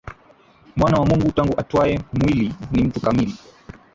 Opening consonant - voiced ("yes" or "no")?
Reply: yes